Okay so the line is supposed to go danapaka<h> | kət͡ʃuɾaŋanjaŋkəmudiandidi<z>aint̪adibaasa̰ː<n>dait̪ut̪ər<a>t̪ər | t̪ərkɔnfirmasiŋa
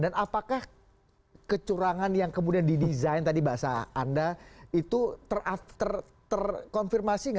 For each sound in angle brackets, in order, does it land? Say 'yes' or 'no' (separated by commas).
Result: yes, yes, yes, yes